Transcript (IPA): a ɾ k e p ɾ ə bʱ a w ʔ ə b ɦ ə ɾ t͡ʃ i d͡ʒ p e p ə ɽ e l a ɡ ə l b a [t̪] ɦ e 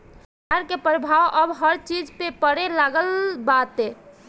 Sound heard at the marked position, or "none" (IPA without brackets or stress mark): t̪